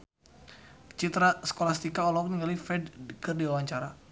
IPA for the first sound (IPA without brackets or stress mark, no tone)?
t͡ʃ